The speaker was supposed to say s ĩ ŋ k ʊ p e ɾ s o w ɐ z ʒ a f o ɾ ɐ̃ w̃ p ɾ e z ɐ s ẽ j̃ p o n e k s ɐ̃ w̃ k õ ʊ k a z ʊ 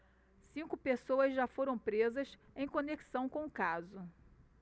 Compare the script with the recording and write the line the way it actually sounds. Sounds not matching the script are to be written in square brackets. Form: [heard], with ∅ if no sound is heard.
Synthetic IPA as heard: s ĩ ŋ k ʊ p e [∅] s o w ɐ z ʒ a f o ɾ ɐ̃ w̃ p ɾ e z ɐ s ẽ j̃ [k] o n e k s ɐ̃ w̃ k õ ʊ k a z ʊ